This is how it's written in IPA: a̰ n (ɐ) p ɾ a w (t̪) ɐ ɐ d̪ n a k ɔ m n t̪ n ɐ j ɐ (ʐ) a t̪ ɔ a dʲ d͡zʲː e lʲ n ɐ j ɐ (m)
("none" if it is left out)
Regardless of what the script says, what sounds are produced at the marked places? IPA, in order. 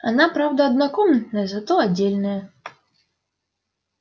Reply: a, d̪, z, none

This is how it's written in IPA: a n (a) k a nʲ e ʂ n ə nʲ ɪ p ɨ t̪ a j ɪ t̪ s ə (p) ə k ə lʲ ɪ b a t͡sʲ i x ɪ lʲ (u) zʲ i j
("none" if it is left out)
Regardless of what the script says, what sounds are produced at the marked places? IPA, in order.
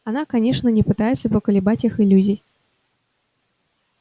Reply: a, p, u

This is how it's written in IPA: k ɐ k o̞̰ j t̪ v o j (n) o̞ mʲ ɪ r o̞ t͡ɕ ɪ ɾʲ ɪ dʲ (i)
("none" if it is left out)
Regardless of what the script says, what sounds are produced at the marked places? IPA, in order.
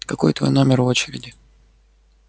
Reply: n, ɪ

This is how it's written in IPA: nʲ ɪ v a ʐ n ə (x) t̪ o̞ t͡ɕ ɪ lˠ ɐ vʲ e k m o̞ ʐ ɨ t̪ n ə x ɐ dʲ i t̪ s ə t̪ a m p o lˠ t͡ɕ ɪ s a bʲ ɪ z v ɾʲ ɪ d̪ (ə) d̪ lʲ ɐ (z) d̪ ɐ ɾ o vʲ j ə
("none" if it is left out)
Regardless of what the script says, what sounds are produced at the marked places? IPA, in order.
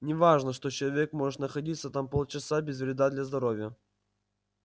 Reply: ʂ, a, z

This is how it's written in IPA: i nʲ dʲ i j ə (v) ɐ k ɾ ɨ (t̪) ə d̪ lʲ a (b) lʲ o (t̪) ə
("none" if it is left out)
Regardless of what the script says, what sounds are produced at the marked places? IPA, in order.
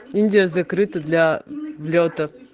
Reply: z, t̪, v, t̪

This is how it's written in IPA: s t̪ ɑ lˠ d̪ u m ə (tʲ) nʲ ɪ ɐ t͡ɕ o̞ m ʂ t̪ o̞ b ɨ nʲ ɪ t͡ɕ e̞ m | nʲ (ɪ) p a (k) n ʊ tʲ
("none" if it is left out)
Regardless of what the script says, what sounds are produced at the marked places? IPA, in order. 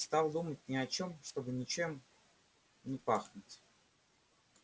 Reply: tʲ, ɪ, x

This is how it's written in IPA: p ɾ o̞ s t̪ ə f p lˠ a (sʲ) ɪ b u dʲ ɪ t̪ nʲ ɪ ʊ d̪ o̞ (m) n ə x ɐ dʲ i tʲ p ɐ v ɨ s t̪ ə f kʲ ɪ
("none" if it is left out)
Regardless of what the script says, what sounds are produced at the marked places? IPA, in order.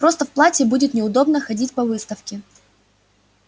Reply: tʲ, b

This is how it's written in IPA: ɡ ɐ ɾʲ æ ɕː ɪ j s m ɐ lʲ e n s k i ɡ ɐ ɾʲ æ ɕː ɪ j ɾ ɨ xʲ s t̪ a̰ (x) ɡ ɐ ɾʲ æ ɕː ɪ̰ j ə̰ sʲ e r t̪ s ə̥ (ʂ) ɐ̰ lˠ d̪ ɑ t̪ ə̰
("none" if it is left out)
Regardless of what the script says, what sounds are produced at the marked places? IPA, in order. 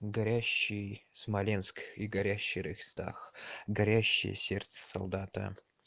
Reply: x, s

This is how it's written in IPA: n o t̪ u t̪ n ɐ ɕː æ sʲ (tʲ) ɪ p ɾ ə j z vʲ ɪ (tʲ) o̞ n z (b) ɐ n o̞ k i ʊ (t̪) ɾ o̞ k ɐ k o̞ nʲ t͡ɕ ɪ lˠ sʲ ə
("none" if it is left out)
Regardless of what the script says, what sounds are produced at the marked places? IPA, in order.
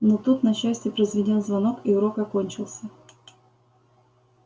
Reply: tʲ, dʲ, v, none

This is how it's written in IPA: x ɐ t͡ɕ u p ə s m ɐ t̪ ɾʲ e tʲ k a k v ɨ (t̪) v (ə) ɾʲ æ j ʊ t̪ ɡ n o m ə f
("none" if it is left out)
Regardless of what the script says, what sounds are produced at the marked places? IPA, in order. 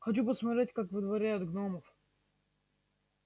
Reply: d̪, ɐ

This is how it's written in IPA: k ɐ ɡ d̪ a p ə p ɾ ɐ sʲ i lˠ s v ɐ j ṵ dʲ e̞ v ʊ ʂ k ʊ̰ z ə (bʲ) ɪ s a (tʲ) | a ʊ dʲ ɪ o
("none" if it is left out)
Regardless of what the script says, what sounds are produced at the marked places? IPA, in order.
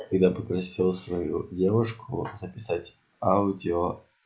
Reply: pʲ, tʲ

